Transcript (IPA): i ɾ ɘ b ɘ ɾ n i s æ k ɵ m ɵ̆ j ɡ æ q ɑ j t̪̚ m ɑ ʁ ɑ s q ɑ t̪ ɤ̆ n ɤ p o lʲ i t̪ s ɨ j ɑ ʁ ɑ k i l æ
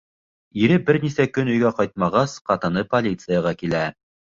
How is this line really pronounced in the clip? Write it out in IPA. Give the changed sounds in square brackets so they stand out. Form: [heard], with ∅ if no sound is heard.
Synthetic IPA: i ɾ ɘ b ɘ ɾ n i s æ k ɵ [n] ɵ̆ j ɡ æ q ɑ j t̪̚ m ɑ ʁ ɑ s q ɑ t̪ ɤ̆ n ɤ p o lʲ i t̪ s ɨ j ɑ ʁ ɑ k i l æ